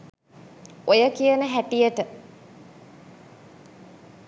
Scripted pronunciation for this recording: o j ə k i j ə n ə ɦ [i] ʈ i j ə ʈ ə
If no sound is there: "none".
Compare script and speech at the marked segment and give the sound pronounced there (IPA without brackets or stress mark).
æ